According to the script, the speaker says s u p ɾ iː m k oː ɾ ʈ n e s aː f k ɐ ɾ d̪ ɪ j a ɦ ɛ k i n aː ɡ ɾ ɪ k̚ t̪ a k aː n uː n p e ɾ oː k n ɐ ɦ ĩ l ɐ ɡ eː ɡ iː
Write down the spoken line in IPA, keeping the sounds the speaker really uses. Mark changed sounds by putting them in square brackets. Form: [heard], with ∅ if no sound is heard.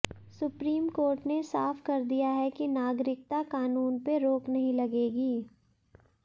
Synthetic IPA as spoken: s [ʊ] p ɾ iː m k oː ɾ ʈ n e s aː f k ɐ ɾ d̪ [i] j a ɦ ɛ k i n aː ɡ ɾ ɪ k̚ t̪ a k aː n uː n p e ɾ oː k n ɐ ɦ ĩ l ɐ ɡ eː ɡ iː